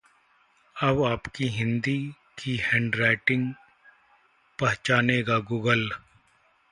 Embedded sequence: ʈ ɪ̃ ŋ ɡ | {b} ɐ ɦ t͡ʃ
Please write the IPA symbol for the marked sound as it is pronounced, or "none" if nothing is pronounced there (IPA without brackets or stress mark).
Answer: p